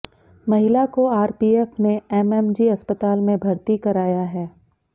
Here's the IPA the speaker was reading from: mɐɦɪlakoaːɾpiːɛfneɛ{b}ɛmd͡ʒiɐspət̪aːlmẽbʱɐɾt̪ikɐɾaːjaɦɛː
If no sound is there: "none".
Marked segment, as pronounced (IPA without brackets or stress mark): m